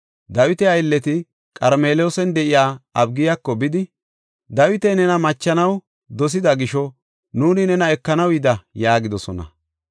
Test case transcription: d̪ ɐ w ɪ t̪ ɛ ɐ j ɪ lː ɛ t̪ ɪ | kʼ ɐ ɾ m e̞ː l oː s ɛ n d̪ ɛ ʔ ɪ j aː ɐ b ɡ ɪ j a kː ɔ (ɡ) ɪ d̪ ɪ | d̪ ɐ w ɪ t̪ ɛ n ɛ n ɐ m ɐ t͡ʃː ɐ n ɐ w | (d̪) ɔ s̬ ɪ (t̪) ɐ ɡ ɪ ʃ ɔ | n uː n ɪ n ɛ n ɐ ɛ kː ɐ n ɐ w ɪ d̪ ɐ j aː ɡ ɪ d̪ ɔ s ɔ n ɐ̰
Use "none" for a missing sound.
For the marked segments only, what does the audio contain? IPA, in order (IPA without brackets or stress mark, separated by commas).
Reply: b, d̪, d̪